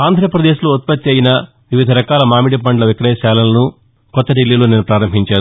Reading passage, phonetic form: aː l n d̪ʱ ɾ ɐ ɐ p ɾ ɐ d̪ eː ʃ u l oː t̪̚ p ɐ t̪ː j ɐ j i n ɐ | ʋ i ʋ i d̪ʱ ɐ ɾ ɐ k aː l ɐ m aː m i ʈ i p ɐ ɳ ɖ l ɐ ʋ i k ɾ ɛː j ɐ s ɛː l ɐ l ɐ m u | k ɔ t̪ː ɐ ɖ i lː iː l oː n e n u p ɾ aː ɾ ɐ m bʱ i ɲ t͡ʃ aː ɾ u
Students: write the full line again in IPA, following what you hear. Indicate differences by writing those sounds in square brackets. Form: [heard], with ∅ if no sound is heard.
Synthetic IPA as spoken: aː [∅] n d̪ʱ ɾ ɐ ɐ p ɾ ɐ d̪ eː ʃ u l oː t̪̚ p ɐ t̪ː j ɐ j i n ɐ | ʋ i ʋ i d̪ʱ ɐ ɾ ɐ k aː l ɐ m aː m i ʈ i p ɐ ɳ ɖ l ɐ ʋ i k ɾ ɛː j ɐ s [aː] l ɐ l ɐ [n] u | k ɔ t̪ː ɐ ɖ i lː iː l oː n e n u p ɾ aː ɾ ɐ m bʱ i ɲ t͡ʃ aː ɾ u